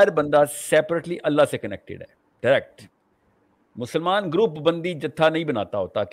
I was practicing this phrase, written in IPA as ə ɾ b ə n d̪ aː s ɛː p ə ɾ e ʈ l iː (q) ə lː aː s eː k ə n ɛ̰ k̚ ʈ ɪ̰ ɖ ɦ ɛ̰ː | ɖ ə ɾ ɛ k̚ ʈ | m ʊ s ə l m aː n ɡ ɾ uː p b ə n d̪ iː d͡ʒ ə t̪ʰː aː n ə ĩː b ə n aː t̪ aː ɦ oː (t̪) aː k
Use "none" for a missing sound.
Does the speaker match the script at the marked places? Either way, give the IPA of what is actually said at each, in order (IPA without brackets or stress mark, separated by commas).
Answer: ʔ, t̪